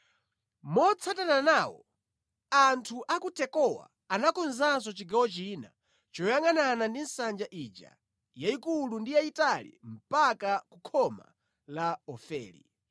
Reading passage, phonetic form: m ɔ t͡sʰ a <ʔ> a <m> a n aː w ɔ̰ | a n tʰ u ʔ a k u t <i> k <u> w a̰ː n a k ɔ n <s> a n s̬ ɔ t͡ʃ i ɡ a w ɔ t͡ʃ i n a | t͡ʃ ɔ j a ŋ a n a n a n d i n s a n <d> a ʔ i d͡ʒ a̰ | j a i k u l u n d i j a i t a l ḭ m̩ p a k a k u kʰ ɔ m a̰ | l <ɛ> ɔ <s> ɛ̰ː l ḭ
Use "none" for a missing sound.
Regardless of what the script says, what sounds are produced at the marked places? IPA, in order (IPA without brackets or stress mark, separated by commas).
t, n, ɛ, ɔ, z, d͡ʒ, a, f